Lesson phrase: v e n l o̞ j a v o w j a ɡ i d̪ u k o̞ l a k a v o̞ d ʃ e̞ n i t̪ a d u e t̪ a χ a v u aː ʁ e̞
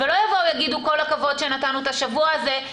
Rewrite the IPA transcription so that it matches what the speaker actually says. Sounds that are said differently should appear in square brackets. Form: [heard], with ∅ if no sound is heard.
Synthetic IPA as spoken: v e [∅] l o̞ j a v o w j a ɡ i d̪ u k o̞ l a k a v o̞ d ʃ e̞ n [a] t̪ a [n] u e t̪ a [ʃ] a v u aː [z] e̞